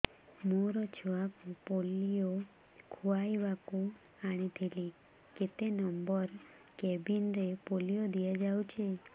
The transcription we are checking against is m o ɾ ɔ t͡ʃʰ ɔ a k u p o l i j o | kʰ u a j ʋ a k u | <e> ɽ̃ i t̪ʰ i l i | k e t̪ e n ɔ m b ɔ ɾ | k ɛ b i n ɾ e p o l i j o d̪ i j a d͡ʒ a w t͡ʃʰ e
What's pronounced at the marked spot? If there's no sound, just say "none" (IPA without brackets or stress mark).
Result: a